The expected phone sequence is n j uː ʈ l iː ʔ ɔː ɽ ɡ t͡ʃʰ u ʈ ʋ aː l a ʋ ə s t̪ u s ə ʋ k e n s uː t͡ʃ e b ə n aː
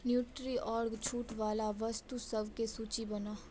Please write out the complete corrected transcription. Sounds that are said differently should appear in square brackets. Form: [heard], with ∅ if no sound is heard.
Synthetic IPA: n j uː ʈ [ɾ] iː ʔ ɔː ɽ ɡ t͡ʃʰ [uː] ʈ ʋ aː l a ʋ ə s t̪ u s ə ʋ k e [∅] s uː t͡ʃ [i] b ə n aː